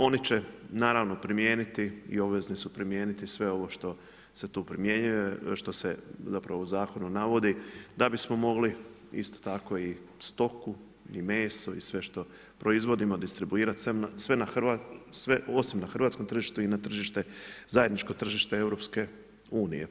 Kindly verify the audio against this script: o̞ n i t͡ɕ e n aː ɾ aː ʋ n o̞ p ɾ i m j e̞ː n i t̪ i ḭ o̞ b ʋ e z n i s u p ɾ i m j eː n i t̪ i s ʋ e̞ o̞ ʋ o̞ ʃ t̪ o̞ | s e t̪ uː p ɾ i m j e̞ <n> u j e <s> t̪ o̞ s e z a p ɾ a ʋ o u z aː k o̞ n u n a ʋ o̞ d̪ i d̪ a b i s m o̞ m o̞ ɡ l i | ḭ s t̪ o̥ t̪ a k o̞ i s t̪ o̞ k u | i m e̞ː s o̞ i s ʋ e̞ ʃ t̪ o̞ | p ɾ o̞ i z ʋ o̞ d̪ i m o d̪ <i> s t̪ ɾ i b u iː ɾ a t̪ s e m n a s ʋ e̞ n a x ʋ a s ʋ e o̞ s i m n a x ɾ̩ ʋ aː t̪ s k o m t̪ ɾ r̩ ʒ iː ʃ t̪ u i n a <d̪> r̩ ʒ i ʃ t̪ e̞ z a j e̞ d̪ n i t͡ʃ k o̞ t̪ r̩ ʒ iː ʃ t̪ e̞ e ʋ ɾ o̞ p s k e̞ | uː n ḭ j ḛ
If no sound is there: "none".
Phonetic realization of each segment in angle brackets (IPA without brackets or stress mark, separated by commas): ɲ, ʃ, i, t̪